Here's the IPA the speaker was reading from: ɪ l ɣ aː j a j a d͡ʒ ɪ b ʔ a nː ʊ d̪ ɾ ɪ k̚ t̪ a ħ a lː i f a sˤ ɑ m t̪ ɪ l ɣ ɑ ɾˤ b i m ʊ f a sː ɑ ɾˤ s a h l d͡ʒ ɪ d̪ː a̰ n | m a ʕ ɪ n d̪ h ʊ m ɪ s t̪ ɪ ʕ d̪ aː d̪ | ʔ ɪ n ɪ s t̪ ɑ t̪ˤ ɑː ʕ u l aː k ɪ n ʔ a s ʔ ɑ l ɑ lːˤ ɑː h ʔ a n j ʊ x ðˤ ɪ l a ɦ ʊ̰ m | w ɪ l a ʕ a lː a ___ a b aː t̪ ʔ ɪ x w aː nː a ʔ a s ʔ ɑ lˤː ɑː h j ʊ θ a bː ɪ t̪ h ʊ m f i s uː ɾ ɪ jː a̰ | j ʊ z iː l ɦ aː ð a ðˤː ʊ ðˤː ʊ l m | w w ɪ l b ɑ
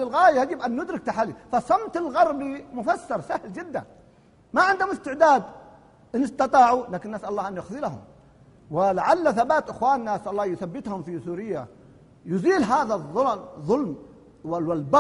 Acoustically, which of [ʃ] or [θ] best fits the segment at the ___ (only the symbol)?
θ